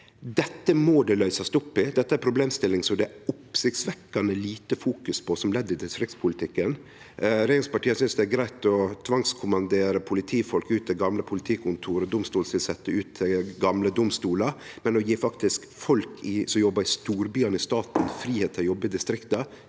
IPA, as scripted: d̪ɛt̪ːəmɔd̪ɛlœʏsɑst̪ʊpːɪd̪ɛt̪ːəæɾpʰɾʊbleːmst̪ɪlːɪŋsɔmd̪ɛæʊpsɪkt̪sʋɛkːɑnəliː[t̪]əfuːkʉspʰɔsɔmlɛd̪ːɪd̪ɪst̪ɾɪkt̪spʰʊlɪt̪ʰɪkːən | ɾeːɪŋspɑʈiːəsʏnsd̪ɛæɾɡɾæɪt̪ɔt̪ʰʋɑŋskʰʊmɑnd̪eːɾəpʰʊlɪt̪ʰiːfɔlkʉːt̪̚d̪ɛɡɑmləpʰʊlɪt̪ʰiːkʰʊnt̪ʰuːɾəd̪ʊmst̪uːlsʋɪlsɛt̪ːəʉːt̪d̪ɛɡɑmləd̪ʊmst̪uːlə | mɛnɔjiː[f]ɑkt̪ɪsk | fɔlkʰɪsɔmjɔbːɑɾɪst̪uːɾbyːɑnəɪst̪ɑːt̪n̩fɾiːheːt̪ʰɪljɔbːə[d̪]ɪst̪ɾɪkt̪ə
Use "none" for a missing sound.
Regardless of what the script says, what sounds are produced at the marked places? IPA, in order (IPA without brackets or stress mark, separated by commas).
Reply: t̪, f, d̪